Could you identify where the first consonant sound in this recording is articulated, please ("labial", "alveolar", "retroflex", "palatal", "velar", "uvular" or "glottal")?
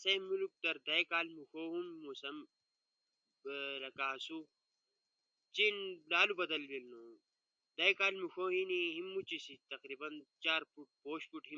alveolar